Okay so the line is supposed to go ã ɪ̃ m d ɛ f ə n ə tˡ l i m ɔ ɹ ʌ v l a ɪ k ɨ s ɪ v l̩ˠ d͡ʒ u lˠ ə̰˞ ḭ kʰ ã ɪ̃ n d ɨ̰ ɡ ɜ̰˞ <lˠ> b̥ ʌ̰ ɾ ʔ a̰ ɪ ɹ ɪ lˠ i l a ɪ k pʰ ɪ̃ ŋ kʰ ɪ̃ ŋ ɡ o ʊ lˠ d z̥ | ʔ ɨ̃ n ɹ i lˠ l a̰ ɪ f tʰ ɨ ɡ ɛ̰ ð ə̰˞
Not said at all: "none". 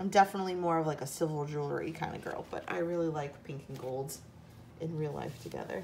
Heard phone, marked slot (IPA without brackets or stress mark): lˠ